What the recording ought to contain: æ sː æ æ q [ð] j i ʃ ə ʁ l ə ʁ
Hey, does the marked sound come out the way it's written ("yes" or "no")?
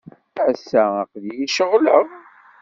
yes